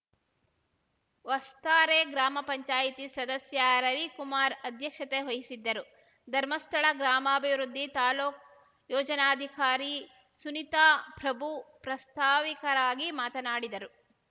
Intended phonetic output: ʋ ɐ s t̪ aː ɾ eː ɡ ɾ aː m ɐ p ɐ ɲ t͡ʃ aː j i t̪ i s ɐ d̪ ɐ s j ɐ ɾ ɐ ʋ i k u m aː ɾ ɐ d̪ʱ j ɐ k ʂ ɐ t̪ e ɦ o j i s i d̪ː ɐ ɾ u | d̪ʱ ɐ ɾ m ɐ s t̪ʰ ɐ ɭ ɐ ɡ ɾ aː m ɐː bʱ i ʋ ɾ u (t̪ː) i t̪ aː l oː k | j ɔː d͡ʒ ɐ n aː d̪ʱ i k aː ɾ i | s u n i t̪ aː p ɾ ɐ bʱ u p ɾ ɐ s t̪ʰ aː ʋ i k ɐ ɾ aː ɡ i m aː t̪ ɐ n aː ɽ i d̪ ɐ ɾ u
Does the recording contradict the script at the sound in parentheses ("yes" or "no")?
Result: yes